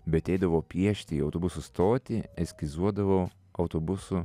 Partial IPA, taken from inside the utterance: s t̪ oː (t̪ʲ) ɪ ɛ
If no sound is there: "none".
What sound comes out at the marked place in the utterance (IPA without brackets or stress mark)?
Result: t̪ʲ